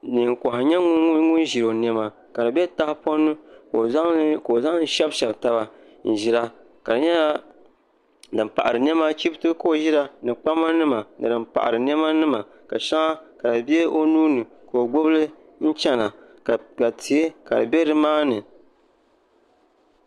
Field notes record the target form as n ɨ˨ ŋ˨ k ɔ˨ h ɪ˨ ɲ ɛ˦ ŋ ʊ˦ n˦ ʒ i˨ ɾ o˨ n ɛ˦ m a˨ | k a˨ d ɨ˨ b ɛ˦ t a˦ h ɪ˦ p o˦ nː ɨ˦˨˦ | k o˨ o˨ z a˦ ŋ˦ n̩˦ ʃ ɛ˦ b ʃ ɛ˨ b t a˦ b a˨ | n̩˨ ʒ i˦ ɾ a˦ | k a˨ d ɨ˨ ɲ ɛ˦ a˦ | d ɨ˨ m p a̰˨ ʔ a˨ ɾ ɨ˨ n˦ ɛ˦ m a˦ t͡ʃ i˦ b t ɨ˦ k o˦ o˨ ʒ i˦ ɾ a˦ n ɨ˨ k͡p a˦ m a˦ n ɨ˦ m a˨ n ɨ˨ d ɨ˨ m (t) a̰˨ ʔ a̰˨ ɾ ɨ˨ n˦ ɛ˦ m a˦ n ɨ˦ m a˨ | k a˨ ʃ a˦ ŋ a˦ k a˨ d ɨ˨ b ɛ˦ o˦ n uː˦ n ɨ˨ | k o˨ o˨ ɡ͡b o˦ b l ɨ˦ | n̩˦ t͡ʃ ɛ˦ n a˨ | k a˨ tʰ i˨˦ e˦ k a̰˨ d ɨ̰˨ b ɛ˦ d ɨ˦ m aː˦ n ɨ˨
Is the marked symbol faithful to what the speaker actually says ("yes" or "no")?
no